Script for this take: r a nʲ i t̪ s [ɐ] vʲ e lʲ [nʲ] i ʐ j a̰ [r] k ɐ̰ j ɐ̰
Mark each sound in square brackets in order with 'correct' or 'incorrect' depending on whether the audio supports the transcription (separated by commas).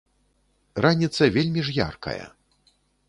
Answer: correct, incorrect, correct